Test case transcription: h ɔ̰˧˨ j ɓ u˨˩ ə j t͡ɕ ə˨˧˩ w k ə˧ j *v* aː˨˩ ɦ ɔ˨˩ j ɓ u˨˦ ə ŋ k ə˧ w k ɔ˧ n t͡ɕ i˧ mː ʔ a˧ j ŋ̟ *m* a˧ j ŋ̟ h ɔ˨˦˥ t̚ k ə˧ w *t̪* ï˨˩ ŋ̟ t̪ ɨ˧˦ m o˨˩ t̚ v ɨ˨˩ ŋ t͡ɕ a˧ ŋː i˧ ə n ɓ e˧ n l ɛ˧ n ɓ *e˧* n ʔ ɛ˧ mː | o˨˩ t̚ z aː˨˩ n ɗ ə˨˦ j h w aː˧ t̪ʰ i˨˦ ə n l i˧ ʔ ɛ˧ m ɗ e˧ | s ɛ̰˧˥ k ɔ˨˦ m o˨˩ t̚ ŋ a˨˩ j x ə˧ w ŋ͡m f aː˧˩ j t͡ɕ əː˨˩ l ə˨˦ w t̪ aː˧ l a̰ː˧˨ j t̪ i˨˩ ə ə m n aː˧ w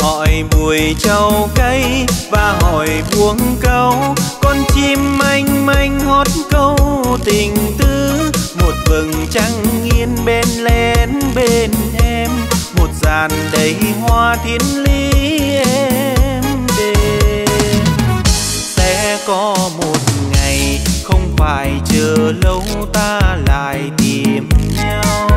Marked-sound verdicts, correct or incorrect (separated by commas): correct, correct, correct, correct